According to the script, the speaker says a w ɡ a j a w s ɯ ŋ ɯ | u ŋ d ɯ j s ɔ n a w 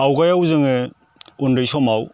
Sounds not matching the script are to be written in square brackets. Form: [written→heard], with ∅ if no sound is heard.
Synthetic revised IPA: a w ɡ a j a w [s→z] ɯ ŋ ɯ | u [ŋ→n] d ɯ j s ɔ [n→m] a w